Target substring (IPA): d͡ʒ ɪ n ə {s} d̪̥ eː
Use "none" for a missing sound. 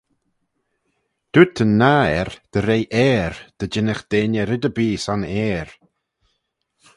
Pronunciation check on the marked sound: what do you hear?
x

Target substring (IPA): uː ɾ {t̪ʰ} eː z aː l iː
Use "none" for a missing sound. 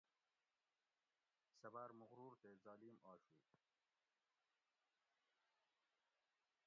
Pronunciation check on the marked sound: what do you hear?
t̪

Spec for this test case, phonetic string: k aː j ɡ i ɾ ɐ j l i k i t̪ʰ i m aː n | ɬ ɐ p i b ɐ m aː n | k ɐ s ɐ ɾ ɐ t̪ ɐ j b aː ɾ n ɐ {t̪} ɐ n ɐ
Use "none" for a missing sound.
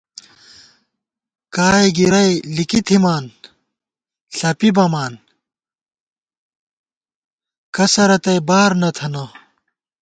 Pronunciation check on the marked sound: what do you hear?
t̪ʰ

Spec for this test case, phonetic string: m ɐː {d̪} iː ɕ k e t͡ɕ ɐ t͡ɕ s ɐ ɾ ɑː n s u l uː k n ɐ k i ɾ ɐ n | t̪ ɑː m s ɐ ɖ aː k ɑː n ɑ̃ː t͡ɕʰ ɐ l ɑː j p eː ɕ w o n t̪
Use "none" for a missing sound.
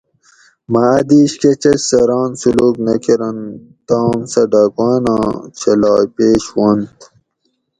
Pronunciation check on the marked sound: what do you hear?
d̪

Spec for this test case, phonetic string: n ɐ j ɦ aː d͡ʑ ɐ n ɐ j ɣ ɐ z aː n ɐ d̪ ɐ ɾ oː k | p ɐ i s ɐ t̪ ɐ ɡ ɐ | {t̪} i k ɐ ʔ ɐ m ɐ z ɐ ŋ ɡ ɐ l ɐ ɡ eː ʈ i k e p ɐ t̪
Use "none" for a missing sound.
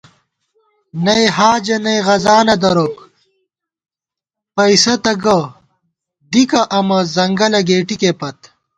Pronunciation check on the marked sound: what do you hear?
d̪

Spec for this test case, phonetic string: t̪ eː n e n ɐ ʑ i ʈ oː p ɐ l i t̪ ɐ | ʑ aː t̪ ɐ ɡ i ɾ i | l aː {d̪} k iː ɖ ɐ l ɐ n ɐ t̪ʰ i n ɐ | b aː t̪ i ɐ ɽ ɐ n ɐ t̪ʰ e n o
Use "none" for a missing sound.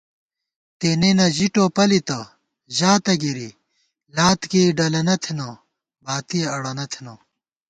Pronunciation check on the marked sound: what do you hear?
t̪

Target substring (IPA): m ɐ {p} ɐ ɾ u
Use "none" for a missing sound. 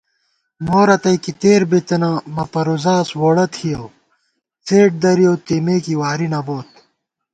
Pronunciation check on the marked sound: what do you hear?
p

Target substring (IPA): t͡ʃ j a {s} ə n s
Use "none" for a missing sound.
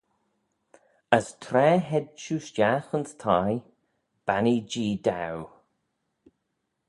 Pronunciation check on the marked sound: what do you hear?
x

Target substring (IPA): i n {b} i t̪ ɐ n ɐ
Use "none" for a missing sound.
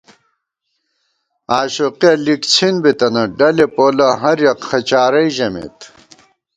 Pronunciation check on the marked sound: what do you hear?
b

